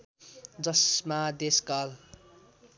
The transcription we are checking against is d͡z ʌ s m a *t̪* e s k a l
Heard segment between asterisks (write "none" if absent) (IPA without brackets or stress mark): d̪